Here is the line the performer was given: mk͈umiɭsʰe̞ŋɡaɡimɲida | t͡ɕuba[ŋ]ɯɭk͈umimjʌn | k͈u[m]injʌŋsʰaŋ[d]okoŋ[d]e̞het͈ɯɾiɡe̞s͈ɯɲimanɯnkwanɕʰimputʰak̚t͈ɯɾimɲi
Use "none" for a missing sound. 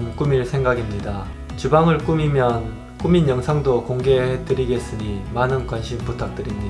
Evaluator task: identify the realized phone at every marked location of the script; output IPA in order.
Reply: ŋ, m, d, ɡ

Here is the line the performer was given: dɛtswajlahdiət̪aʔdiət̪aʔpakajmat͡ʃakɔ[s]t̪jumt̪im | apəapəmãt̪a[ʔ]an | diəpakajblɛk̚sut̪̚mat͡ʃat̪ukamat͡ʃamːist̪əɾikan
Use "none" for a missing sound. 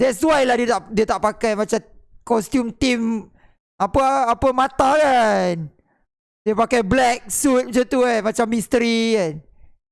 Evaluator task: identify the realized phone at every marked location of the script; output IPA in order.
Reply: s, k

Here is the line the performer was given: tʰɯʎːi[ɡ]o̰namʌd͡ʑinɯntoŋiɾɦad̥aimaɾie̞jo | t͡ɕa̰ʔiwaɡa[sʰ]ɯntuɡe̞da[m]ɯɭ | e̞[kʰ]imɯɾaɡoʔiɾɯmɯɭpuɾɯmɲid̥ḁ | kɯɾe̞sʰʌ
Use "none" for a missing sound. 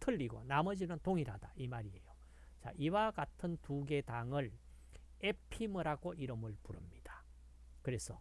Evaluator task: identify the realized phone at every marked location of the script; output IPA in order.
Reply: ɡ, tʰ, ŋ, pʰ

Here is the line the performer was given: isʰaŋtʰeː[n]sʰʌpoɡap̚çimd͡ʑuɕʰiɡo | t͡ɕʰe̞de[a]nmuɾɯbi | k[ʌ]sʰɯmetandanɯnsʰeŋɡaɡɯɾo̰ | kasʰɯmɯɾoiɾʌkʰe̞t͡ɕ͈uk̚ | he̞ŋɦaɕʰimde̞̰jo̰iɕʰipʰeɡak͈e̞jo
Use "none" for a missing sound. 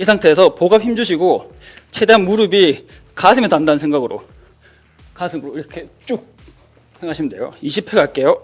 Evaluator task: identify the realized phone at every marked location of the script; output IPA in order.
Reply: none, a, a

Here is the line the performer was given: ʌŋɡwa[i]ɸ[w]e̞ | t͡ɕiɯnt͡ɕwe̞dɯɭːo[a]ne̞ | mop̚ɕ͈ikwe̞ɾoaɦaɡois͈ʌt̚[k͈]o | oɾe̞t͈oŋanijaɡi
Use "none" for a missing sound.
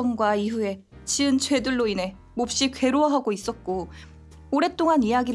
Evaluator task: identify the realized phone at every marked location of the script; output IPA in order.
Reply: i, u, i, k͈

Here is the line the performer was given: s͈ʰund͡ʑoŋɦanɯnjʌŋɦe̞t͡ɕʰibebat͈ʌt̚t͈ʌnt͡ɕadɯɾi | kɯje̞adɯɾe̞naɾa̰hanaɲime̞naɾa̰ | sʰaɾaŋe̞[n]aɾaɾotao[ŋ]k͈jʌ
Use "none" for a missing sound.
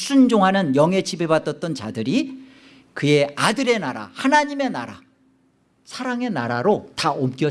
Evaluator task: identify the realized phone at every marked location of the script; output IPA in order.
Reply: n, m

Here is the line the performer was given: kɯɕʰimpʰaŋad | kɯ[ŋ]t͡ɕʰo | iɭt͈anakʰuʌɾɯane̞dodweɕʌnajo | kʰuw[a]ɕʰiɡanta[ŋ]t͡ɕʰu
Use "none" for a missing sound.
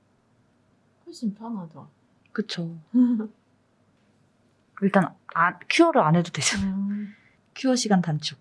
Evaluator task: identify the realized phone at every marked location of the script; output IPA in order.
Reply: none, ʌ, n

